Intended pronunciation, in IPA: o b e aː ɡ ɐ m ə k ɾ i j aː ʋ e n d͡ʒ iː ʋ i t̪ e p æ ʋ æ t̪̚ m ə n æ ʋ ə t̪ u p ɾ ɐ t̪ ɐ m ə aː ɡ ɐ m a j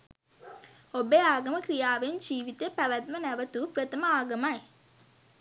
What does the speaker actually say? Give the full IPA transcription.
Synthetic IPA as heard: o b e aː ɡ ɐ m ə k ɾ i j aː ʋ e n d͡ʒ iː ʋ i t̪ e p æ ʋ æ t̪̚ m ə n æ ʋ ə t̪ u p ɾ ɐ t̪ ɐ m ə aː ɡ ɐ m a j